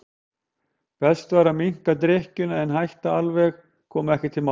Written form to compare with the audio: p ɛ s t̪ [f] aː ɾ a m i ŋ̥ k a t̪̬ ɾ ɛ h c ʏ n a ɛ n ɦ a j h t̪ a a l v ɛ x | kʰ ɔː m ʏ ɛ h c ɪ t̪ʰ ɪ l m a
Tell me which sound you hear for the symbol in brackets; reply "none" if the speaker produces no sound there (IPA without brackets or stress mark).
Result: v